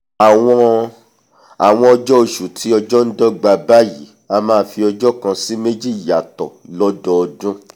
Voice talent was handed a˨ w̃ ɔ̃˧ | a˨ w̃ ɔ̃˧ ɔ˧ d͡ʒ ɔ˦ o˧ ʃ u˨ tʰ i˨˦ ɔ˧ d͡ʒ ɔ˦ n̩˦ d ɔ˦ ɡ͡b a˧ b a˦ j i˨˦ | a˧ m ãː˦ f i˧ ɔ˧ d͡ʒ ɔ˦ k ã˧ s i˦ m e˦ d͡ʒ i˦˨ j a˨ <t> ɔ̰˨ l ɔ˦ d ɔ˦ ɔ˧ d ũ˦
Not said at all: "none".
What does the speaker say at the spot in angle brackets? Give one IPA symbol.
t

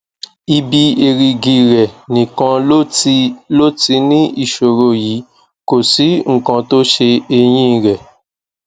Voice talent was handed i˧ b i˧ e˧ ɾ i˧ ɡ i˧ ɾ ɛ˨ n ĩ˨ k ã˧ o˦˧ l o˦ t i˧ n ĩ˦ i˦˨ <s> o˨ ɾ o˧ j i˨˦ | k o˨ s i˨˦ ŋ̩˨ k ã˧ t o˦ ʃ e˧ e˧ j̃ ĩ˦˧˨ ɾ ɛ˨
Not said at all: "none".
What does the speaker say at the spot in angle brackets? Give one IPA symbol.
ʃ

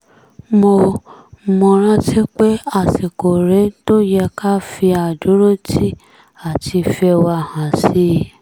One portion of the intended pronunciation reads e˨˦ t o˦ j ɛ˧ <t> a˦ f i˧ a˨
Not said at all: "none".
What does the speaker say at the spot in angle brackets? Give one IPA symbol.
k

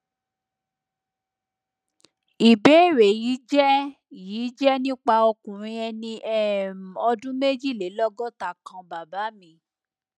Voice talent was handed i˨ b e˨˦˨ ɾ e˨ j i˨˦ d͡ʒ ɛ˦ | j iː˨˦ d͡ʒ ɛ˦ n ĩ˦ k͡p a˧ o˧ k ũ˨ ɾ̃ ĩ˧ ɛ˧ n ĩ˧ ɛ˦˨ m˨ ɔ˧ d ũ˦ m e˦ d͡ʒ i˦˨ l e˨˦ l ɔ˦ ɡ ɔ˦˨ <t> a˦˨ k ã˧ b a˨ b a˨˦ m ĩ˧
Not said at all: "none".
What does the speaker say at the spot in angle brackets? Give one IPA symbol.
t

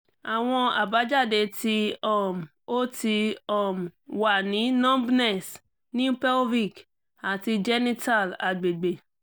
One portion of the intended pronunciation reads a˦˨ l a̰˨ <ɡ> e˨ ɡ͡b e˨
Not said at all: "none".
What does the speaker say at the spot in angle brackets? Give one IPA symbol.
ɡ͡b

